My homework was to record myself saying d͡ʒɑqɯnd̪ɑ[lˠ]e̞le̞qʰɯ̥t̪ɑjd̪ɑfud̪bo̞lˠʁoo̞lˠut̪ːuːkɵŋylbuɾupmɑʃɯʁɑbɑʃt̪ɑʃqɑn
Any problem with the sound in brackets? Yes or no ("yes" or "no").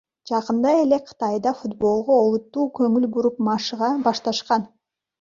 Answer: yes